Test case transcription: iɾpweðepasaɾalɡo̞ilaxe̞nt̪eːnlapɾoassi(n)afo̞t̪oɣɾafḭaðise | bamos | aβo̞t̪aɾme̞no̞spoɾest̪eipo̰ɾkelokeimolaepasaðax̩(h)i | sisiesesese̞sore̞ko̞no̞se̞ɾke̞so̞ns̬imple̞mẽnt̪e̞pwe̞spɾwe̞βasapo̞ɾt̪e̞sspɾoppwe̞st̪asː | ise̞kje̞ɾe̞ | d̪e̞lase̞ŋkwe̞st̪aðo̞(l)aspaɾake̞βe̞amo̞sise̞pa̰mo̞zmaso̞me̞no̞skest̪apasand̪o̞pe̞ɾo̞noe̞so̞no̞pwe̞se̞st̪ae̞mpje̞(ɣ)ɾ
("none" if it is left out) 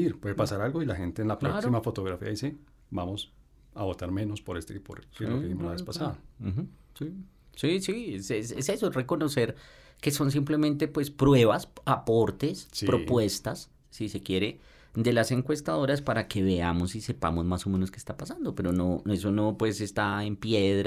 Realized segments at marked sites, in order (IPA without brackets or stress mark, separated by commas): m, s, ɾ, ð